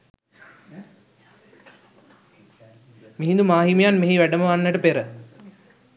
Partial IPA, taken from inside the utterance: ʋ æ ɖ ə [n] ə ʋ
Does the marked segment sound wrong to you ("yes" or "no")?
yes